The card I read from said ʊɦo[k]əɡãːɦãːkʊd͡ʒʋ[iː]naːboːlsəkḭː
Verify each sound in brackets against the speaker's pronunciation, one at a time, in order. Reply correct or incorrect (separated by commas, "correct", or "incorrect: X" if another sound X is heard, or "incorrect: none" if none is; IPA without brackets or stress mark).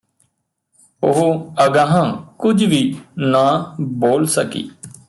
incorrect: none, correct